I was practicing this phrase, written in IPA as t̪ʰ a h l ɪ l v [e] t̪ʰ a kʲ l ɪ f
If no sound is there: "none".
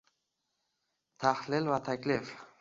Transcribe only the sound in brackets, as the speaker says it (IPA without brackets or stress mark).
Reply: a